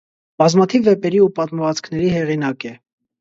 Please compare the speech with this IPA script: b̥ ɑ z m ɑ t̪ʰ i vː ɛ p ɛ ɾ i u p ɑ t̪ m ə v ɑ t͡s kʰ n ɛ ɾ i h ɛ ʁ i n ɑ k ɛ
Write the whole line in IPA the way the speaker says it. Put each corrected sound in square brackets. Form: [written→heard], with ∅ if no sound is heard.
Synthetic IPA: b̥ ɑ z m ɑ t̪ʰ i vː ɛ p ɛ ɾ i u p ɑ t̪ m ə v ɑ t͡s kʰ n ɛ ɾ i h ɛ ʁ i n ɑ k ɛ